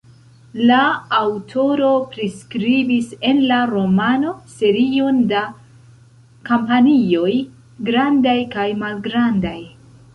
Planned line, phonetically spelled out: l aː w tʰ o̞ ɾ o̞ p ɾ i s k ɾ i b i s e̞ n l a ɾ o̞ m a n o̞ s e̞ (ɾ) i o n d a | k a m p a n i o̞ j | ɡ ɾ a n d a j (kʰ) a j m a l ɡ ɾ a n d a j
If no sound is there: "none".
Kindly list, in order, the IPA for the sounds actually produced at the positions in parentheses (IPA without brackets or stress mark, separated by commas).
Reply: ɾ, k